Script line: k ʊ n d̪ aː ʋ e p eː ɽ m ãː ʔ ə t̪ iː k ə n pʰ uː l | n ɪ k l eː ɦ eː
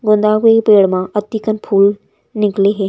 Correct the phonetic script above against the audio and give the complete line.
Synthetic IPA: ɡ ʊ n d̪ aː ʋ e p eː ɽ m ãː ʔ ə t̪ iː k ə n pʰ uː l | n ɪ k l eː ɦ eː